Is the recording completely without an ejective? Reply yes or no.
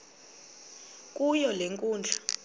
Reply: no